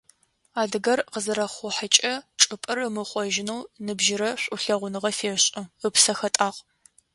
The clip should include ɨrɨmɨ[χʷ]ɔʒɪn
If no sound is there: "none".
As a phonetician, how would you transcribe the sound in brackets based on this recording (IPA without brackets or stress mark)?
χʷ